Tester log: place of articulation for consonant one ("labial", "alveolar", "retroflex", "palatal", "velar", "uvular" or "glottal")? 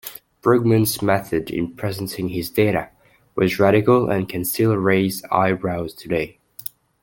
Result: labial